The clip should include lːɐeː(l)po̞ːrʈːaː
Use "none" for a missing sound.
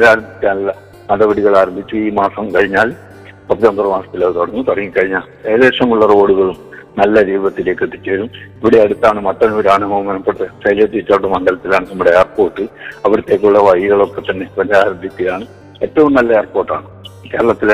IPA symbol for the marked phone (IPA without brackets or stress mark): r